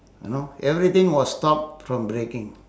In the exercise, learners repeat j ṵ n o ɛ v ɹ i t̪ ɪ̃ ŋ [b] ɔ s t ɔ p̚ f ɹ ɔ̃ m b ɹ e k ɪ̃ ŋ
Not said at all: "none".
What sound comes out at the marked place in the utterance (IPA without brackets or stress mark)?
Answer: w